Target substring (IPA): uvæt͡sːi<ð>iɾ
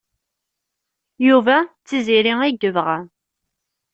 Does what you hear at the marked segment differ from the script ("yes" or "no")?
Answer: yes